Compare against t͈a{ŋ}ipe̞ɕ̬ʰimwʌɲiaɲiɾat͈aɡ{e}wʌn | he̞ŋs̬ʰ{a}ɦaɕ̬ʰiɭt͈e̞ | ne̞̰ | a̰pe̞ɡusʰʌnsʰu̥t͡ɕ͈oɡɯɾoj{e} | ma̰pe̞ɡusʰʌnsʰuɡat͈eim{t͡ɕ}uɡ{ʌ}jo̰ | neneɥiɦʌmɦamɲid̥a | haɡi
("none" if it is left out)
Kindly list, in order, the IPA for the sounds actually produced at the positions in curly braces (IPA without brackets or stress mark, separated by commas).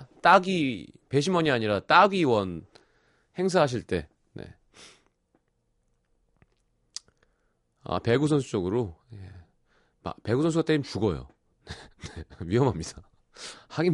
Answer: ɡ, i, a, e, t͡ɕ, ʌ